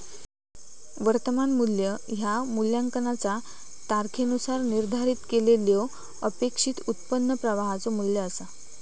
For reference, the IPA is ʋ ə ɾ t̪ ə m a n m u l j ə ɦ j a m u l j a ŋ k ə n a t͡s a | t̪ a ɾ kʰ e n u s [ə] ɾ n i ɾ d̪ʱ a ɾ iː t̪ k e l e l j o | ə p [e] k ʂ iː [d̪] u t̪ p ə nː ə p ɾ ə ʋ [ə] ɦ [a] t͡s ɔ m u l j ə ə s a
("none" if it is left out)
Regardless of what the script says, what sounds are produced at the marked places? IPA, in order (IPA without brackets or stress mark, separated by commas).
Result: a, e, t̪, a, a